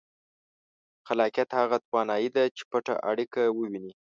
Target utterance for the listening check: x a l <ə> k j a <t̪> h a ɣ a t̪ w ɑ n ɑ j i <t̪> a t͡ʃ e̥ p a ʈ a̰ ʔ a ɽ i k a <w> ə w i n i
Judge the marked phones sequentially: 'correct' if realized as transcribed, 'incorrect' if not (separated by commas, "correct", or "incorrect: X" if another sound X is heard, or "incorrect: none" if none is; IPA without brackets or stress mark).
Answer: incorrect: ɑ, correct, incorrect: d̪, correct